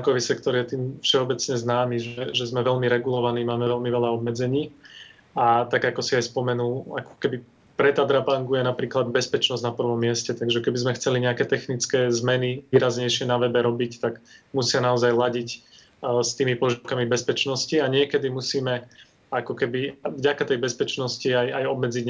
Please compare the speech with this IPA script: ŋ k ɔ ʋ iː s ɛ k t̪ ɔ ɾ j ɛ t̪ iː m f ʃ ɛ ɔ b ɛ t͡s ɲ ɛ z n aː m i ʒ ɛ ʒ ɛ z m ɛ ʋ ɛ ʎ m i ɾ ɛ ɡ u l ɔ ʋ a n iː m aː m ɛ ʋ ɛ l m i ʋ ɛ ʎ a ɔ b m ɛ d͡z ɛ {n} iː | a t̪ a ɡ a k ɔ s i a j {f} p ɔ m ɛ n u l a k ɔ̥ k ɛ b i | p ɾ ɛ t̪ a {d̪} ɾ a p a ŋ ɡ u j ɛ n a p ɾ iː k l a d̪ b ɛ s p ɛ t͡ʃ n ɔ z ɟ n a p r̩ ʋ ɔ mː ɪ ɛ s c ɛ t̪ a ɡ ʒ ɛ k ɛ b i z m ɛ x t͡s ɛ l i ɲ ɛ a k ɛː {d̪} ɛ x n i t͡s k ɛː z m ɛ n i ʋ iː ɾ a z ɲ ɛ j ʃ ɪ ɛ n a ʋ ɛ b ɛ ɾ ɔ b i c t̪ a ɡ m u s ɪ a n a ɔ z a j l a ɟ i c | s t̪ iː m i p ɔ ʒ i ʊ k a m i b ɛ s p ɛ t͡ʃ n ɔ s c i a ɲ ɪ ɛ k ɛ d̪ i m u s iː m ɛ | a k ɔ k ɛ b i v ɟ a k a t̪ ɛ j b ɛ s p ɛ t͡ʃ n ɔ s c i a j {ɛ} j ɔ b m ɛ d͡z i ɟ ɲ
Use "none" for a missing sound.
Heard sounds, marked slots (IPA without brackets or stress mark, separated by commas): ɲ, s, d̪, t̪, a